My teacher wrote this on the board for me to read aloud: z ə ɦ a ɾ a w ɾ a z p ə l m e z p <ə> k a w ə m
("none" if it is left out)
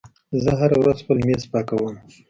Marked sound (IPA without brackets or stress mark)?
ɑ